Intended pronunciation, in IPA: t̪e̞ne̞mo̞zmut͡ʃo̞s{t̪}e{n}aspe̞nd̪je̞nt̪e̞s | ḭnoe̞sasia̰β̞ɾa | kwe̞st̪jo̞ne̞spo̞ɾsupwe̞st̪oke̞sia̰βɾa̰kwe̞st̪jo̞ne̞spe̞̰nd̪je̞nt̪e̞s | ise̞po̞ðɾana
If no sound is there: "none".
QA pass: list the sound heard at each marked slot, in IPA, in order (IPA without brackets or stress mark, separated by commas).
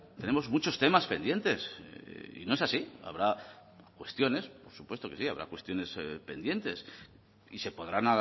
t̪, m